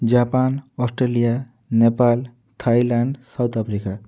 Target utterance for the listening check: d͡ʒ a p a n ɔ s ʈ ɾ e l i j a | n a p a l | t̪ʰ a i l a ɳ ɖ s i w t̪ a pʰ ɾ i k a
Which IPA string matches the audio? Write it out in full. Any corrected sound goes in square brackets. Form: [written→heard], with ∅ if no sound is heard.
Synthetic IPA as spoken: d͡ʒ a p a n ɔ s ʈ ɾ e l i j a | n [a→e] p a l | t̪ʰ a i l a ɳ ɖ s [i→a] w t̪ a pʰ ɾ i k a